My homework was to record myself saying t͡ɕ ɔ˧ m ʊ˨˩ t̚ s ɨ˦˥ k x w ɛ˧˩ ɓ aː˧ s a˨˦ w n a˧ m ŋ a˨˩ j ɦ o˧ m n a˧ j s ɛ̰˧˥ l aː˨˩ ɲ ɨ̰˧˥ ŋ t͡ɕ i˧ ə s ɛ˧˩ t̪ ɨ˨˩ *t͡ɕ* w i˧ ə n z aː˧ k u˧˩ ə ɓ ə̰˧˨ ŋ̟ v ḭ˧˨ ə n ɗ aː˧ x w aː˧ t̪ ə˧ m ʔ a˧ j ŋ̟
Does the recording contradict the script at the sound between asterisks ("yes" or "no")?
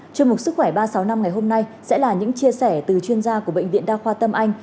no